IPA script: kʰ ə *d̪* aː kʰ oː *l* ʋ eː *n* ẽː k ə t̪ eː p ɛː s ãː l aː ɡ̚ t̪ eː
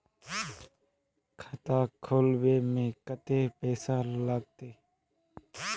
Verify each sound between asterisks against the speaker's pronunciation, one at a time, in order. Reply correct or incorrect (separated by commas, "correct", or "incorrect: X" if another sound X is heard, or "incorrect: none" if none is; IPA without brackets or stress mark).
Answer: incorrect: t̪, correct, incorrect: m